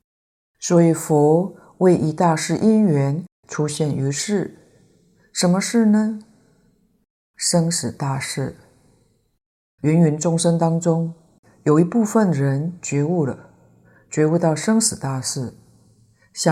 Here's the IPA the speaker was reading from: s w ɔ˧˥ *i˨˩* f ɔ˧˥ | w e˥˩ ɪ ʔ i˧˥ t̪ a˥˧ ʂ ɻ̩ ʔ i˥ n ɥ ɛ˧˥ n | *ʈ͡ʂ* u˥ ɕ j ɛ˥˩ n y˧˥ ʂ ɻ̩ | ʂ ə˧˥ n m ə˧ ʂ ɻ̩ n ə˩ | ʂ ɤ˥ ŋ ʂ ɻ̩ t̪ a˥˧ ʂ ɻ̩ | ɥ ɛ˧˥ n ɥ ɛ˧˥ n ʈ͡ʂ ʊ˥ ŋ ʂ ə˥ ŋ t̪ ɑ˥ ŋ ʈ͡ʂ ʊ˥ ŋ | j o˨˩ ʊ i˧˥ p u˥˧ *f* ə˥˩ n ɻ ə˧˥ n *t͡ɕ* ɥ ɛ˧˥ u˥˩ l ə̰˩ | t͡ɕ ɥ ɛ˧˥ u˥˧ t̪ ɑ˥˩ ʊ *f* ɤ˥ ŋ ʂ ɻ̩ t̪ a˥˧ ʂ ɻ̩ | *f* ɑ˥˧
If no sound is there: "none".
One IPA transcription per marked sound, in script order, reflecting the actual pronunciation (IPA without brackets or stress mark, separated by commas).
i˨˩, ʈ͡ʂʰ, f, t͡ɕ, ʂ, ɕ